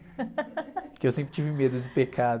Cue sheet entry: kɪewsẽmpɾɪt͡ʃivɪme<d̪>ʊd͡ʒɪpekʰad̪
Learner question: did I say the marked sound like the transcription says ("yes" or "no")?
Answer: yes